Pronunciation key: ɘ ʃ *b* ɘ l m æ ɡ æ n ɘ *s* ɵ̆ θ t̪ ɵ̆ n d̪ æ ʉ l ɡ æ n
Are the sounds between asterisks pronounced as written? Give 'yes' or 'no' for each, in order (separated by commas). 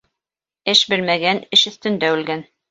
yes, no